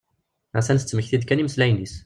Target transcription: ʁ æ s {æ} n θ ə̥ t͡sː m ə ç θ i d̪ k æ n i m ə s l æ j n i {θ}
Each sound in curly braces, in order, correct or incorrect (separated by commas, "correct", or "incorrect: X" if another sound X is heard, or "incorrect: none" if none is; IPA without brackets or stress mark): correct, incorrect: s